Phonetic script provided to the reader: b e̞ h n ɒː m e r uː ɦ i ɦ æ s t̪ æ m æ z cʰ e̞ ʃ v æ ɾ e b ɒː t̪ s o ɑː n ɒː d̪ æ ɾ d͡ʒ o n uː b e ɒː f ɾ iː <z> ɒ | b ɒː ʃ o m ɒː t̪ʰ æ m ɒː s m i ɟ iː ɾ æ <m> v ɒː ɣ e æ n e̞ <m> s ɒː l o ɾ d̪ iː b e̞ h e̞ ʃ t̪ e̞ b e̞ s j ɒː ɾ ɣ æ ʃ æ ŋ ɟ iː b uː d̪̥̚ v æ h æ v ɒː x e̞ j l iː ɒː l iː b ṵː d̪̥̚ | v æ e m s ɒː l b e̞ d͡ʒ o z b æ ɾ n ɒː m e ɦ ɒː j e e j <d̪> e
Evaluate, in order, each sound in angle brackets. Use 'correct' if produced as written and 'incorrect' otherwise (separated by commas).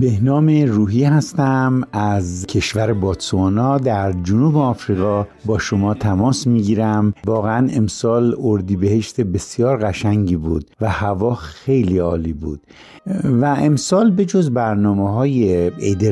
incorrect, correct, correct, correct